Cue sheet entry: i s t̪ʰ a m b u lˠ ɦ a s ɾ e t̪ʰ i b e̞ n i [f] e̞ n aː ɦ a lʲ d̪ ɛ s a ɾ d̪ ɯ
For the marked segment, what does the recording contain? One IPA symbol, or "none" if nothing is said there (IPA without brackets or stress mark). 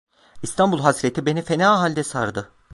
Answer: f